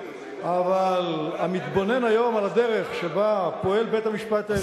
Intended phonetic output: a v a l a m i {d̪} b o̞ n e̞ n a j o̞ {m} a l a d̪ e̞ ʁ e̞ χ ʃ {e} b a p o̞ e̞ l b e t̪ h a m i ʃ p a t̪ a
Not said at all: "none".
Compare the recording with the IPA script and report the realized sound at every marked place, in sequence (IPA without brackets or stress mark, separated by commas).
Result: t̪, m, e